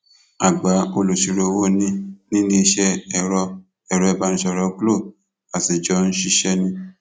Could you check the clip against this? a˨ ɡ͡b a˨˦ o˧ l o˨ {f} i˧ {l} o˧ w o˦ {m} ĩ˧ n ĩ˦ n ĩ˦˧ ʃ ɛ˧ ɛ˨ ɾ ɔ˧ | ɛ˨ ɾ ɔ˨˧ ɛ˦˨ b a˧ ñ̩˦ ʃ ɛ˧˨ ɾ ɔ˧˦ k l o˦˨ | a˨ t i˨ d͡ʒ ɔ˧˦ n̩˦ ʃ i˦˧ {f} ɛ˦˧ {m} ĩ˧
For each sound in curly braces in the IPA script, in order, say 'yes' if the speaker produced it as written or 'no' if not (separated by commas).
no, no, no, no, no